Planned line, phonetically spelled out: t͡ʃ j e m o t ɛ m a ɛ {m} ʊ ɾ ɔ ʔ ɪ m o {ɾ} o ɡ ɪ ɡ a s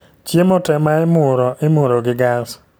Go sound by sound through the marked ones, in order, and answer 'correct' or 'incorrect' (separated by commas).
correct, correct